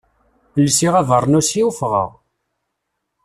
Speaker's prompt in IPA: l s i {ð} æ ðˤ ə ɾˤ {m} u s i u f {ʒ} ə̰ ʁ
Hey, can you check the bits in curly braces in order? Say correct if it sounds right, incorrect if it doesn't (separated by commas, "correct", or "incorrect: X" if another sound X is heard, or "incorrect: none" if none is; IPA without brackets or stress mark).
incorrect: ʁ, incorrect: n, incorrect: ʁ